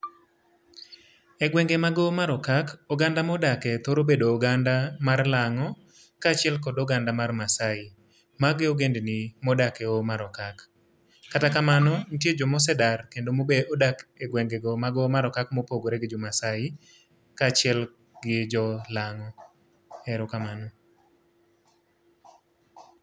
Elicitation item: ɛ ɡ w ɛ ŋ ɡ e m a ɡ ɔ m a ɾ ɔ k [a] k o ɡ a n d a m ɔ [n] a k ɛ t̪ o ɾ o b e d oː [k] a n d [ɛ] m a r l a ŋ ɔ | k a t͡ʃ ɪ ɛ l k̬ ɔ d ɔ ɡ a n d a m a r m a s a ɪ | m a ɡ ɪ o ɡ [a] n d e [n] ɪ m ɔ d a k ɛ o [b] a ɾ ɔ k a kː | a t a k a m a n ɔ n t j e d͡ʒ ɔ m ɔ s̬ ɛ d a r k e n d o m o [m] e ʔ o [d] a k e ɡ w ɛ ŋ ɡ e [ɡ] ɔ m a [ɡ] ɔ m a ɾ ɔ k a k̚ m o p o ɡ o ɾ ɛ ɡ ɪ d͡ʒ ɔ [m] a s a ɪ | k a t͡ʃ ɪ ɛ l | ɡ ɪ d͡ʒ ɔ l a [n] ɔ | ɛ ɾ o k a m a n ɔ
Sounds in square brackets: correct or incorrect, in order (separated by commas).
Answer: correct, incorrect, incorrect, incorrect, incorrect, correct, incorrect, incorrect, correct, correct, correct, correct, incorrect